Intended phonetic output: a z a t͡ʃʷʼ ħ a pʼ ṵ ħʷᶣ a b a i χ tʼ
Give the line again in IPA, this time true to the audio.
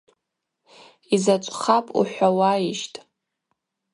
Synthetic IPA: i z a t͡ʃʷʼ χ a pʼ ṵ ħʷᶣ a w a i ʃ tʼ

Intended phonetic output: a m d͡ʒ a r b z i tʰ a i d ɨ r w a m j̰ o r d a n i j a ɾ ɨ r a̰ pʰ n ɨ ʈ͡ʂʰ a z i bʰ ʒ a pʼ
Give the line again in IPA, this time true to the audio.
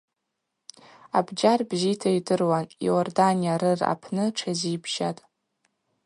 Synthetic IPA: a b d͡ʒ a r b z i tʰ a i d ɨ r w a n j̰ o r d a n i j a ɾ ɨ r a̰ pʰ n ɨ ʈ͡ʂʰ a z i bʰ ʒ a tʼ

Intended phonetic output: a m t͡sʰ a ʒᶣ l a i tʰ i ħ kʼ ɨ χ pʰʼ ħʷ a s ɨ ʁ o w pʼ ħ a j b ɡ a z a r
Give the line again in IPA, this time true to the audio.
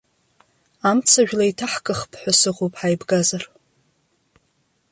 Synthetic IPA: a m t͡sʰ a ʒᶣ l a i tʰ a ħ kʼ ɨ χ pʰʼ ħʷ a s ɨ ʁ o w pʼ ħ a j b ɡ a z a r

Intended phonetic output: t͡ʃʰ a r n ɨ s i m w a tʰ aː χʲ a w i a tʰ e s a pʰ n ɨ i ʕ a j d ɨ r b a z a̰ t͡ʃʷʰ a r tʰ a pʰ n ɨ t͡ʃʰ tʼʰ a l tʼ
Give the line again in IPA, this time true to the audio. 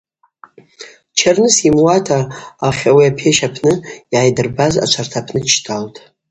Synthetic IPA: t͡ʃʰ a r n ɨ s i m w a tʰ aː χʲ a w i a pʰ e ʃ a pʰ n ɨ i ʕ a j d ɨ r b a z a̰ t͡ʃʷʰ a r tʰ a pʰ n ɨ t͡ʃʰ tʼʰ a l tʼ

